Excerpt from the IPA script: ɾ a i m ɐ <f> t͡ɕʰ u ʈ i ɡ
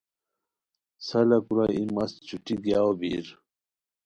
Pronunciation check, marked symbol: incorrect: s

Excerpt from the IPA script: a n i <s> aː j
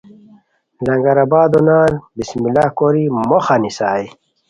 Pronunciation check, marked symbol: correct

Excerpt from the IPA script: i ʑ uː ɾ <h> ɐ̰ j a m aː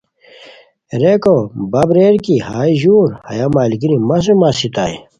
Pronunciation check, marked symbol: correct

